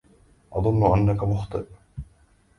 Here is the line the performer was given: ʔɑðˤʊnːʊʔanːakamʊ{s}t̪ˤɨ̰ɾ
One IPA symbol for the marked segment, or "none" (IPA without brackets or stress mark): x